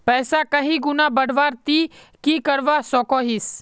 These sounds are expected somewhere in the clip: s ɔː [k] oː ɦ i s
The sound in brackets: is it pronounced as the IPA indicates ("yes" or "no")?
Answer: yes